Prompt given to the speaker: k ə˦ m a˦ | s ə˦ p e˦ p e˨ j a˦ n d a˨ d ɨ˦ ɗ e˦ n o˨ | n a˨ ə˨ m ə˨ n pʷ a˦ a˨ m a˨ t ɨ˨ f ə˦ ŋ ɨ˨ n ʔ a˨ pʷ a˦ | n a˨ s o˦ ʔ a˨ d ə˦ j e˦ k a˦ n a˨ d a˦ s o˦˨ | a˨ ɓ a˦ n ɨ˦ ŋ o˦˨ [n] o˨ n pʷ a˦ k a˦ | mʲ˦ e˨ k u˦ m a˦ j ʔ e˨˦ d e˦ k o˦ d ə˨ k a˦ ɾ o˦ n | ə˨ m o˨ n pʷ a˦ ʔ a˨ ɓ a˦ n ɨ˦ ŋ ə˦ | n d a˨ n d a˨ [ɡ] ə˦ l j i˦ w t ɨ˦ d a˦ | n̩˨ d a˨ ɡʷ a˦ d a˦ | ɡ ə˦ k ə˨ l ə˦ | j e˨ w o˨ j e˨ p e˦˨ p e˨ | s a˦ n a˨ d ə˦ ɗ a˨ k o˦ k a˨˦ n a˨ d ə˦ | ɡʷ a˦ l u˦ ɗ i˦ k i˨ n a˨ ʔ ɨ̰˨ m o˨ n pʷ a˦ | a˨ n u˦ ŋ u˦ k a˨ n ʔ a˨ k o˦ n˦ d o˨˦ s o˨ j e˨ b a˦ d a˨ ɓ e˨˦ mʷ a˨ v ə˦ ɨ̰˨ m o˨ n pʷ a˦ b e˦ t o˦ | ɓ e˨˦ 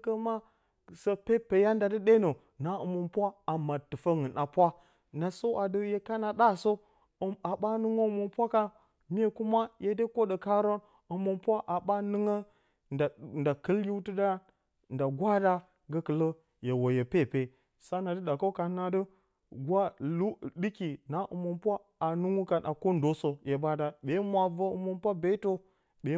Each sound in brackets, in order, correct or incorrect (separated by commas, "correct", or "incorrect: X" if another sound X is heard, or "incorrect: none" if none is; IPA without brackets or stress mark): incorrect: m, incorrect: k